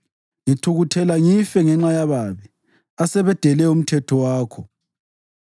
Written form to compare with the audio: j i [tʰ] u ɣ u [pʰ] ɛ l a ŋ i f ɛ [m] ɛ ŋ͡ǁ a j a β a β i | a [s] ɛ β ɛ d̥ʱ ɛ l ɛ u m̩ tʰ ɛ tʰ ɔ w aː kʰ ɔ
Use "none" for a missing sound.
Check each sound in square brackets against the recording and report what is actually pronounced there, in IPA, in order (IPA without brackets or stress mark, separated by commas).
tʰ, tʰ, ŋ, s